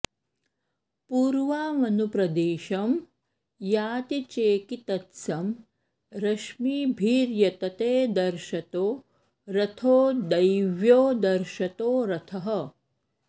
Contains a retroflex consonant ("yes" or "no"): no